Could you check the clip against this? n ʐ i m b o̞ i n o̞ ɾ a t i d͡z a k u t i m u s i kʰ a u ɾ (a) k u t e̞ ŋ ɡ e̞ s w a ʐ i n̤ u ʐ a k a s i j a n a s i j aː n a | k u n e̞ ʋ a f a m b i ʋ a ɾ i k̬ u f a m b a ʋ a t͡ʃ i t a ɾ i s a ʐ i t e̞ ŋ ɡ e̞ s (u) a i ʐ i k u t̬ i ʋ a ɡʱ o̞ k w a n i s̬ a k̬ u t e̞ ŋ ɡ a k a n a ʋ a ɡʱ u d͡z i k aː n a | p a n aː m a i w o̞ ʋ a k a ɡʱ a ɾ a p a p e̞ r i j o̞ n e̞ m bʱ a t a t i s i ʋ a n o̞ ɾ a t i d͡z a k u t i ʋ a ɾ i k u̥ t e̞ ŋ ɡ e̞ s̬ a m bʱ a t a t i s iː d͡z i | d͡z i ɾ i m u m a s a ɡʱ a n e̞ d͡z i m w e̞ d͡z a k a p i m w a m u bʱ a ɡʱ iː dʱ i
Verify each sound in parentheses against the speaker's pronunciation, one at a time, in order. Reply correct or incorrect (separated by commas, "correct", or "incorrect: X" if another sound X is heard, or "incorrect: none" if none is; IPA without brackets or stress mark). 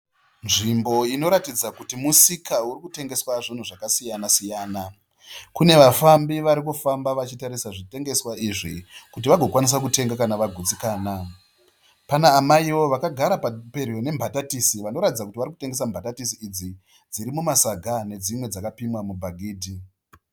incorrect: i, incorrect: w